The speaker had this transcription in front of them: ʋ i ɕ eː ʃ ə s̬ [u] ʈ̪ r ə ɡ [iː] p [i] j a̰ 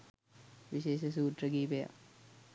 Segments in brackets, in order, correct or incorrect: incorrect, correct, incorrect

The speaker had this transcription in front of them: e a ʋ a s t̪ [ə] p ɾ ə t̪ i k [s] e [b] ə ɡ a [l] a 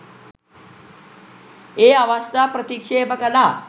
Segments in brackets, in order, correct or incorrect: incorrect, incorrect, correct, correct

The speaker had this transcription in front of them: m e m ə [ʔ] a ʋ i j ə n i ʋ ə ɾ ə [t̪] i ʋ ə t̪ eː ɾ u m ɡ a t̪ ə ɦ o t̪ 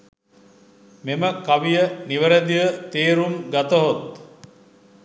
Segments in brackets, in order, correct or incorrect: incorrect, incorrect

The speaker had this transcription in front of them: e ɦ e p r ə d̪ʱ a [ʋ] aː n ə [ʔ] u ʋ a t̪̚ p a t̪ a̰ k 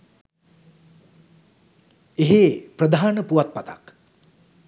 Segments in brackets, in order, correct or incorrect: incorrect, incorrect

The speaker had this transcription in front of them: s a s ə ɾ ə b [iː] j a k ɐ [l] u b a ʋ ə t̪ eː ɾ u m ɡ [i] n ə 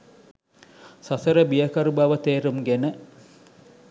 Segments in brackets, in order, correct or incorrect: incorrect, incorrect, incorrect

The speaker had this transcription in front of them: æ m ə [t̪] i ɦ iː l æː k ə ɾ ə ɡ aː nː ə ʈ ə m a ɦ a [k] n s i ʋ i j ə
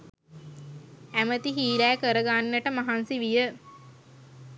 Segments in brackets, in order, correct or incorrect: correct, incorrect

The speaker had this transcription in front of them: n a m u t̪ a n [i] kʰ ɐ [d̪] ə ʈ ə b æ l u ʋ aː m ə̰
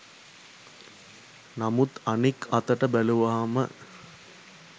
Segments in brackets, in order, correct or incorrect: correct, incorrect

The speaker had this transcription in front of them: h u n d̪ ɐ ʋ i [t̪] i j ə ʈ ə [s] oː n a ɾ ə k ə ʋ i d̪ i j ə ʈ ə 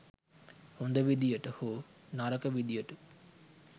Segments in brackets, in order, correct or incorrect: incorrect, incorrect

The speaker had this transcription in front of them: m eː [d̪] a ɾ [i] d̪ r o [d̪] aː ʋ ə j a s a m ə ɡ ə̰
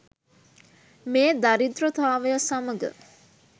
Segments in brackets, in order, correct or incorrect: correct, correct, incorrect

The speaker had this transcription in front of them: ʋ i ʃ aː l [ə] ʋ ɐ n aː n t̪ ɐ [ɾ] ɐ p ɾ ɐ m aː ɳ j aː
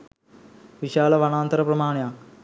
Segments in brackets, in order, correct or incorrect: incorrect, correct

